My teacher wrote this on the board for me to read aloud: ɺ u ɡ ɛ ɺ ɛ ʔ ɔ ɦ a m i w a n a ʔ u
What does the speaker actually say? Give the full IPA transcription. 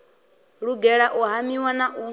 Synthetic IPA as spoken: ɺ u ɡ ɛ ɺ a ʔ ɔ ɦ a m i w a n a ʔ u